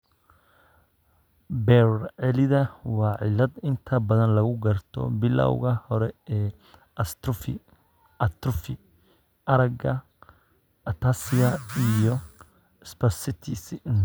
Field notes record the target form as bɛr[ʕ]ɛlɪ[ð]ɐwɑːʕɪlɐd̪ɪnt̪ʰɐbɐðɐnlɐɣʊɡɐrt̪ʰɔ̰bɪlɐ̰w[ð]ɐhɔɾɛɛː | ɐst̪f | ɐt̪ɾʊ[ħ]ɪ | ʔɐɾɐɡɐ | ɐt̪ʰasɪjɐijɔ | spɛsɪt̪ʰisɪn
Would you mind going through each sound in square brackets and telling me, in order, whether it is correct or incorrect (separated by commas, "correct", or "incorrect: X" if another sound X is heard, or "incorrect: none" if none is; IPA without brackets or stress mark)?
correct, correct, incorrect: ɣ, incorrect: f